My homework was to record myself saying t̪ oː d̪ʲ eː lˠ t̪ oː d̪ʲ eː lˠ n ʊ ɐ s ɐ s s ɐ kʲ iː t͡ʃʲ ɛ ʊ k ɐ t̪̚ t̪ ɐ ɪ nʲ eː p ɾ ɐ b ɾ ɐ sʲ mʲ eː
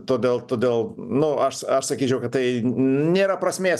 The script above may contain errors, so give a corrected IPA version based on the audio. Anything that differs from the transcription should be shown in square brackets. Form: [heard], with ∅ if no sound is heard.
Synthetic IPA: t̪ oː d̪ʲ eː lˠ t̪ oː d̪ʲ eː lˠ n ʊ ɐ [ʃ] ɐ [ʃ] s ɐ kʲ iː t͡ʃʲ ɛ ʊ k ɐ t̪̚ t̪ ɐ ɪ nʲ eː [∅] ɾ ɐ [p] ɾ ɐ sʲ mʲ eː